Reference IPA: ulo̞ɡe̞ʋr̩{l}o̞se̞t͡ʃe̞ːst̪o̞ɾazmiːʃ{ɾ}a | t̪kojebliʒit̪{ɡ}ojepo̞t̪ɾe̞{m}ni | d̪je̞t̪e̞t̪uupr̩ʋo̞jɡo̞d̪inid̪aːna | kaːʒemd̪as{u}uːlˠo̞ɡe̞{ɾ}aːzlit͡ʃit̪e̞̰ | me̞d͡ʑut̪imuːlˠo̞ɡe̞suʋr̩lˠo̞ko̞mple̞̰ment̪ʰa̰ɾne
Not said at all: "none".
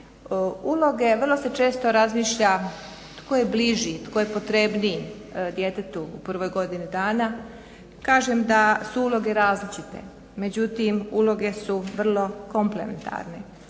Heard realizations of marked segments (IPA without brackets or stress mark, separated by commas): l, ʎ, k, b, u, ɾ